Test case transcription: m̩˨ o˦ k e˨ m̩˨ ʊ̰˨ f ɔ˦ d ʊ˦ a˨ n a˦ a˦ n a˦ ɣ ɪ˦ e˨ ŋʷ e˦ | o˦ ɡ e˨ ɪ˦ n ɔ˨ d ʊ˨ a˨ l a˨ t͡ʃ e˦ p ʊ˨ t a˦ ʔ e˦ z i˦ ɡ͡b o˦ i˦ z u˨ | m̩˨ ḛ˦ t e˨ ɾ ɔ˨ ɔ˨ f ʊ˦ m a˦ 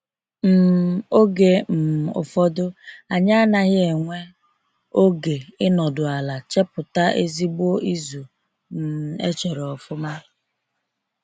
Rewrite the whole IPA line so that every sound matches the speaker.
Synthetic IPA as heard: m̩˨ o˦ ɡ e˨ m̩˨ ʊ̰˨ f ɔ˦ d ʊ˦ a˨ ɲ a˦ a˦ n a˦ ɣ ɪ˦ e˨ ŋʷ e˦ | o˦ ɡ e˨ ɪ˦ n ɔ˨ d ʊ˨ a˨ l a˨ t͡ʃ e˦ p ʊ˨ t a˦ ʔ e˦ z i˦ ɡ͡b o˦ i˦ z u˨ | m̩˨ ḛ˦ t͡ʃ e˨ ɾ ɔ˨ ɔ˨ f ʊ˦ m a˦